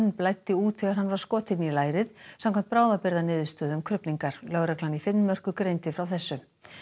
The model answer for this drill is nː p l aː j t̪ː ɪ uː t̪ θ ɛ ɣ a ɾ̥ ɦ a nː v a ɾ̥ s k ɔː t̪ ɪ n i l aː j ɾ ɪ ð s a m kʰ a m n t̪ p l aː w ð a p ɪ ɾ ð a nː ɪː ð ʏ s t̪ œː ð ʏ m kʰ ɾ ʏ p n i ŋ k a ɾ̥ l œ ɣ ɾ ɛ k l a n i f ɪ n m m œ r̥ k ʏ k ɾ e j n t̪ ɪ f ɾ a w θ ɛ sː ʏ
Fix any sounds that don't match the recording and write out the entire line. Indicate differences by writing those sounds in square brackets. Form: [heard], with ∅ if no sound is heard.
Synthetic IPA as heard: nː p l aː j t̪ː ɪ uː t̪ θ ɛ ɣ a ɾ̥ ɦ a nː v a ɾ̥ s k ɔː t̪ ɪ n i l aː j ɾ ɪ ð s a m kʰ a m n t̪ p [ɾ] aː w ð a p ɪ ɾ ð a [n] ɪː ð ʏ s t̪ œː ð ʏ m kʰ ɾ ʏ p n i ŋ k a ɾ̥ l œ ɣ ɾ ɛ k l a n i f ɪ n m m œ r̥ k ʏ k ɾ e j n t̪ ɪ f ɾ a w θ ɛ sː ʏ